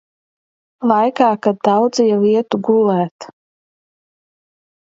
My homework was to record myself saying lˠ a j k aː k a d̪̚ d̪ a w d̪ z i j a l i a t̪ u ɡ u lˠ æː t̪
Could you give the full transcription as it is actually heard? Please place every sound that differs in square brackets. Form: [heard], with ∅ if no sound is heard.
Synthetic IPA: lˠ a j k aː k a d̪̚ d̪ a w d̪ z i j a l i [ɛ] t̪ u ɡ u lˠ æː t̪